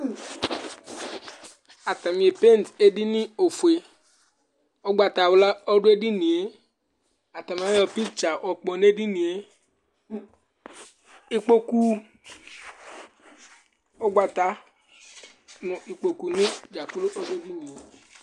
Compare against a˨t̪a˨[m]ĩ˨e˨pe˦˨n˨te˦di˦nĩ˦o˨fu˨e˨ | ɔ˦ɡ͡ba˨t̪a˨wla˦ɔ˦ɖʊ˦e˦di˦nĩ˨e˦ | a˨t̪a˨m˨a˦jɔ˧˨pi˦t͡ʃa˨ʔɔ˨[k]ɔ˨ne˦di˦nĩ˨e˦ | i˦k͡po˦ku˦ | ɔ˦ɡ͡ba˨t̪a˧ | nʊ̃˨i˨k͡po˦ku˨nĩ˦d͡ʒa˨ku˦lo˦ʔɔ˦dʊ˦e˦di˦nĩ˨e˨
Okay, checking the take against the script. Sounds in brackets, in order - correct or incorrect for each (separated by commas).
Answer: correct, incorrect